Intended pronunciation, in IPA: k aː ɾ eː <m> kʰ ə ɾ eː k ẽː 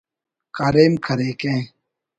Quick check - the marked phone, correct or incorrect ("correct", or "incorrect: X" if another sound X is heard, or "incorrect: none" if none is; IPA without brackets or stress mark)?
correct